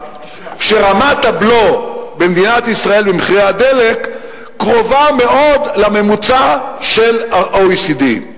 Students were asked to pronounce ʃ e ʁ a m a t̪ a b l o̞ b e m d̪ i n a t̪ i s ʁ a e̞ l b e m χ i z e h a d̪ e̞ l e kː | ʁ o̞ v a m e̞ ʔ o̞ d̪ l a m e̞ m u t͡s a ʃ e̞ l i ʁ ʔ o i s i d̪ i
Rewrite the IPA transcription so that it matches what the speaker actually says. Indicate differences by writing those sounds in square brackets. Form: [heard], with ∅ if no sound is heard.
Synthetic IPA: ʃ e ʁ a m a t̪ a b l o̞ b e m d̪ i n a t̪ i s ʁ a e̞ l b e m χ i [ʁ] e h a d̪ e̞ l e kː | ʁ o̞ v a m e̞ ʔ o̞ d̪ l a m e̞ m u t͡s a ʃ e̞ l [a] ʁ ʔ o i s i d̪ i